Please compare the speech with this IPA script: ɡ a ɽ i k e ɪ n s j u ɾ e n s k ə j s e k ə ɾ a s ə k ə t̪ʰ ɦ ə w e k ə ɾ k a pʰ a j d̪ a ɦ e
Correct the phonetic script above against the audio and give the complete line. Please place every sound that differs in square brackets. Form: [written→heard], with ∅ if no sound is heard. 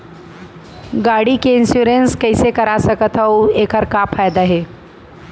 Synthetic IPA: ɡ a ɽ i k e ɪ n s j u ɾ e n s k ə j s e k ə ɾ a s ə k ə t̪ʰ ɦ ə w e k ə ɾ k a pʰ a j d̪ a ɦ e